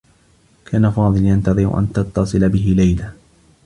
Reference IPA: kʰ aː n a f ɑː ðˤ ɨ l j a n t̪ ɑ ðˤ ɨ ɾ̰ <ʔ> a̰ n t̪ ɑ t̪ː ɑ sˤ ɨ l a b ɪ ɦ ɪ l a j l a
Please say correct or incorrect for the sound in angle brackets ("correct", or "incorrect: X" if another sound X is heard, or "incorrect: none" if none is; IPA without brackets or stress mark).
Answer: correct